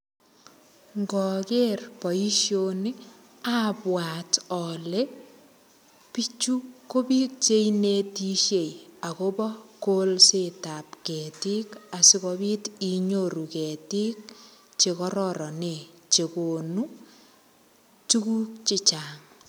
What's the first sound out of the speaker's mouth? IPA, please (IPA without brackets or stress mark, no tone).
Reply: ŋ